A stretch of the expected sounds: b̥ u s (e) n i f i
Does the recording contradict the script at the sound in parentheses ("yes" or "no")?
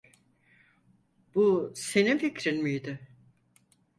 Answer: no